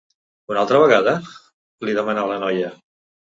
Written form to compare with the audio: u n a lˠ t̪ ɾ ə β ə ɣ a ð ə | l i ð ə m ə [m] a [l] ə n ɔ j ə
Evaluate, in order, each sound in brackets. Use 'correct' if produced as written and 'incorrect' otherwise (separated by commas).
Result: incorrect, correct